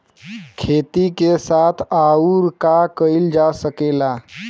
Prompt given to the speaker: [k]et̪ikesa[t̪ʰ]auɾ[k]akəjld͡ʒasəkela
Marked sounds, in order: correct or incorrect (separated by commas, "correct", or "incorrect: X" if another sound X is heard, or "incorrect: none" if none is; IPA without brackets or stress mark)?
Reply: incorrect: kʰ, correct, correct